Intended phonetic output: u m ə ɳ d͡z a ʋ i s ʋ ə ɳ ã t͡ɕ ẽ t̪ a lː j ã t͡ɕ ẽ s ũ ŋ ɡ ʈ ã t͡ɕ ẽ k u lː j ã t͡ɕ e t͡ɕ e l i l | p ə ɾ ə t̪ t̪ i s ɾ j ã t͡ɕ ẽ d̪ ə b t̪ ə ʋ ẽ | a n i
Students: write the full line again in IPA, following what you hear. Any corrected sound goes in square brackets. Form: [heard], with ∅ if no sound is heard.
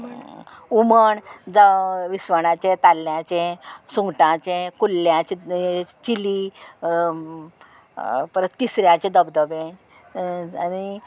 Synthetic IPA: u m ə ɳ d͡z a ʋ i s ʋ ə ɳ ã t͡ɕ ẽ t̪ a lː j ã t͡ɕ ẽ s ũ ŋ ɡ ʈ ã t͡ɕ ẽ k u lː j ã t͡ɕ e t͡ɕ [i] l i [∅] | p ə ɾ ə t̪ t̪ i s ɾ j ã t͡ɕ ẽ d̪ ə b [d̪] ə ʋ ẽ | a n i